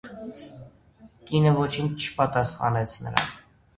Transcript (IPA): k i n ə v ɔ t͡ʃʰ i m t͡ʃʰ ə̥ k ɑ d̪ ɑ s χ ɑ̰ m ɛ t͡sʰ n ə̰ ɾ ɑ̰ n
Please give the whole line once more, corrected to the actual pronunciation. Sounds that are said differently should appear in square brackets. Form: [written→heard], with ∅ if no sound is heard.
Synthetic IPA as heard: k i n ə v ɔ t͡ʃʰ i [m→n] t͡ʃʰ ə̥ [k→p] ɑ [d̪→t̪] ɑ s χ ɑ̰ [m→n] ɛ t͡sʰ n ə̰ ɾ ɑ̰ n